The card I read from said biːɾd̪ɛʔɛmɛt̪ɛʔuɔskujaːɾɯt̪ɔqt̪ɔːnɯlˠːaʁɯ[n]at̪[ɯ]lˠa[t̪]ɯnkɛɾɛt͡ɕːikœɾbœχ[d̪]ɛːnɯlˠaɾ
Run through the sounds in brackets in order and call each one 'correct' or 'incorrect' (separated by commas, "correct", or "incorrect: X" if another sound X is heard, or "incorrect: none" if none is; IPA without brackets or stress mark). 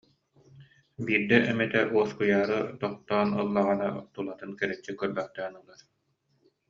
correct, incorrect: u, correct, incorrect: t̪